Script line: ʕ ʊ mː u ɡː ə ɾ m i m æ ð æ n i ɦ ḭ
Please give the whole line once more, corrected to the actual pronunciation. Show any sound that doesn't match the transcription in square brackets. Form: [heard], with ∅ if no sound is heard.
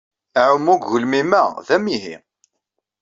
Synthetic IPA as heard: ʕ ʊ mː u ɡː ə [l] m i m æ ð æ [m] i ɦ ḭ